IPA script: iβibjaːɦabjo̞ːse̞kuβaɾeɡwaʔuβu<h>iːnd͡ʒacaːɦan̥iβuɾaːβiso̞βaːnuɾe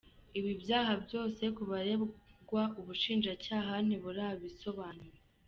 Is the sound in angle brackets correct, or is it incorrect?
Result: incorrect: ʃ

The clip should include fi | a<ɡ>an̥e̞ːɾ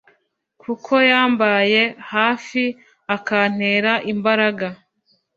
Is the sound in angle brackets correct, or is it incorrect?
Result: incorrect: k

